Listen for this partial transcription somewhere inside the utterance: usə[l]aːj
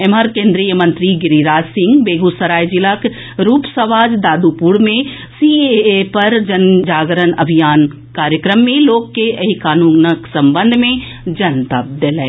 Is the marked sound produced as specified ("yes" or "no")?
no